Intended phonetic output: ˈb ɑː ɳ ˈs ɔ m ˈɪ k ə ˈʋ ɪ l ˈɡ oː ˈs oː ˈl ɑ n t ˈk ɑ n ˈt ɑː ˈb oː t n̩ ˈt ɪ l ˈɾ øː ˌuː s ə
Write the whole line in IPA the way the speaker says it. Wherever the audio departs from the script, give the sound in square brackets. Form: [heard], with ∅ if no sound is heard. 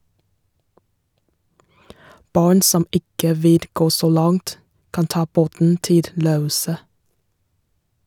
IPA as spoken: ˈb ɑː ɳ ˈs ɔ m ˈɪ k ə ˈʋ ɪ l ˈɡ oː ˈs oː ˈl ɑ [ŋ] t ˈk ɑ n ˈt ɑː ˈb oː t n̩ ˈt ɪ l ˈɾ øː ˌuː s ə